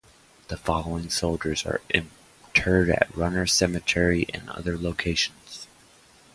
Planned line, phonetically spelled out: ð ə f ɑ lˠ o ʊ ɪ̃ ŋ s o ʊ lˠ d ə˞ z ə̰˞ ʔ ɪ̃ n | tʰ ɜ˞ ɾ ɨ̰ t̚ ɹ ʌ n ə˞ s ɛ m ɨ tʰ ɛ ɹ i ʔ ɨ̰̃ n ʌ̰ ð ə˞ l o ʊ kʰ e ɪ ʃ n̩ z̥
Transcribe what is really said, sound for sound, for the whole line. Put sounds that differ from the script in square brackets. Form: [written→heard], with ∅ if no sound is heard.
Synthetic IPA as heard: ð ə f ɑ lˠ o ʊ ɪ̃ ŋ s o ʊ lˠ [d→d͡ʒ] ə˞ z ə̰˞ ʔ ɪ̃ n | tʰ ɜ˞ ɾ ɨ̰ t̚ ɹ ʌ n ə˞ s ɛ m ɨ tʰ ɛ ɹ i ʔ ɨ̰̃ n ʌ̰ ð ə˞ l o ʊ kʰ e ɪ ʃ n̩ z̥